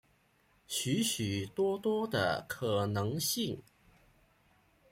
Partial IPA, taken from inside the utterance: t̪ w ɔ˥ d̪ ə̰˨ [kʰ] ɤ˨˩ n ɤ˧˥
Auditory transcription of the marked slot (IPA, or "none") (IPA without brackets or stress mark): kʰ